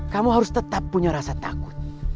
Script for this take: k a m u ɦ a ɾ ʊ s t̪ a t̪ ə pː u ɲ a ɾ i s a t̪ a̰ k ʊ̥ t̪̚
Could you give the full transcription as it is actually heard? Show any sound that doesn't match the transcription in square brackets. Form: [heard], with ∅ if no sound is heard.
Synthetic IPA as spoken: k a m u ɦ a ɾ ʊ s t̪ [ə] t̪ [a] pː u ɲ a ɾ [a] s a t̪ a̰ k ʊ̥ t̪̚